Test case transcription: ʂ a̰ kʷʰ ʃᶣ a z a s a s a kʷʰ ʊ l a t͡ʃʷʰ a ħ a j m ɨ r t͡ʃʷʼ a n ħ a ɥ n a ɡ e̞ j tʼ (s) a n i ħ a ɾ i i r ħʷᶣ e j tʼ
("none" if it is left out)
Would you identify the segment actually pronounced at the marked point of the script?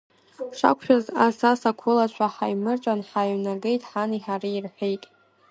ħ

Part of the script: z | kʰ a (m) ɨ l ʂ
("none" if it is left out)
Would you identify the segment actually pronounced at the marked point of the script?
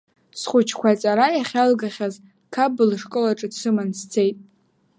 b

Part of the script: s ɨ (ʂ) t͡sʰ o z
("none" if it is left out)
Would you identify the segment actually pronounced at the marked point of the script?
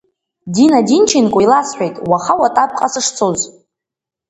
ʂ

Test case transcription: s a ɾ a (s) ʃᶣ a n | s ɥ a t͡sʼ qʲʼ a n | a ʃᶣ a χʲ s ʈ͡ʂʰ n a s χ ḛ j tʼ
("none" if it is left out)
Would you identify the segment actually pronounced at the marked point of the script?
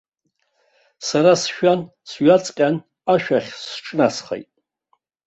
s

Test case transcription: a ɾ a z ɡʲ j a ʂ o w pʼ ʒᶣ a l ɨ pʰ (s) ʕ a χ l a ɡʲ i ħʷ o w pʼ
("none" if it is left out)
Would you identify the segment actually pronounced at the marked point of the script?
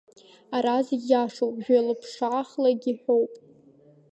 ʂ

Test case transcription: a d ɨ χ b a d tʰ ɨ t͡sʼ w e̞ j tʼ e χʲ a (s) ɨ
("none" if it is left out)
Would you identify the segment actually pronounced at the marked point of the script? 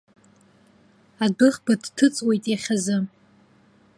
z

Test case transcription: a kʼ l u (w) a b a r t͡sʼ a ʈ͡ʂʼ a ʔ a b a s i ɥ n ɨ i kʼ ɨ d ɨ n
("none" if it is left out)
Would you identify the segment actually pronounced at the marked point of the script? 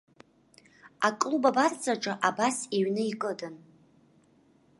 b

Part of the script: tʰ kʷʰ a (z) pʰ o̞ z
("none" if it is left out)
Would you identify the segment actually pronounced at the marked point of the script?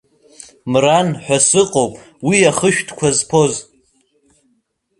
z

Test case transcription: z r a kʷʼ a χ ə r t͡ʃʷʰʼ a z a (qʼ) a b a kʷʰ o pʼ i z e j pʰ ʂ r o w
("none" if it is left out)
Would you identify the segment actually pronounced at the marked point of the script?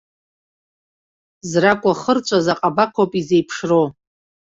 qʼ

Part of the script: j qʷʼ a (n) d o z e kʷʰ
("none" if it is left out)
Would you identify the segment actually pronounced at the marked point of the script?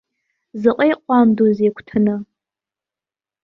m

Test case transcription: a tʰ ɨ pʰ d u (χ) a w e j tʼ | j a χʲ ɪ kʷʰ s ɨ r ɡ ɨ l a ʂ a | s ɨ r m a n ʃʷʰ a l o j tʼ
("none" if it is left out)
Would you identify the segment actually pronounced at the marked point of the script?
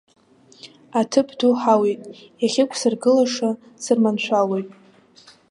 ħ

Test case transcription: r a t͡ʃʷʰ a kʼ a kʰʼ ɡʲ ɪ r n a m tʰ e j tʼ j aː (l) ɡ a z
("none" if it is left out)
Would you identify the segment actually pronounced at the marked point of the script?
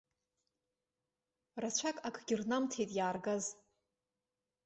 r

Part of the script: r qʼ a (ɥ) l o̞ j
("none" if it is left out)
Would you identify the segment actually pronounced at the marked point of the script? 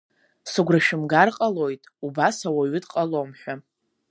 none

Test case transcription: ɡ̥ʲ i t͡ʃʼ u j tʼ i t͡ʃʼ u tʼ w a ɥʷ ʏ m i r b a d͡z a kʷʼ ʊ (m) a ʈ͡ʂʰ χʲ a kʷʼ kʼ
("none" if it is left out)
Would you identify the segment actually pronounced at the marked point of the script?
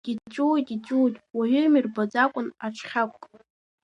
n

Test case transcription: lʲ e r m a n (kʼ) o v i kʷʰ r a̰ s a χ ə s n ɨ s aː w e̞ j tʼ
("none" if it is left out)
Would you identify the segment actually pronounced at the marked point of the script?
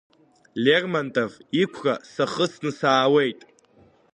tʼ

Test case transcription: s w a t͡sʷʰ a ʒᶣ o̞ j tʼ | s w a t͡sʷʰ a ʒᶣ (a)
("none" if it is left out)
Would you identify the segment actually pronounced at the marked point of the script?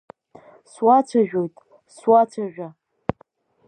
a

